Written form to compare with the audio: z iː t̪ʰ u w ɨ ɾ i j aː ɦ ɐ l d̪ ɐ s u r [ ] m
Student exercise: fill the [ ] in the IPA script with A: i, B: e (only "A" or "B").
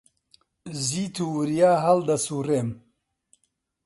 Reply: B